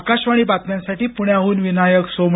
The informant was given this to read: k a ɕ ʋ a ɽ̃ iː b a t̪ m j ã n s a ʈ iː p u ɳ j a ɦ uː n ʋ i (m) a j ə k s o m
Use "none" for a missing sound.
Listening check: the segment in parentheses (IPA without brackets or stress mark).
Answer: n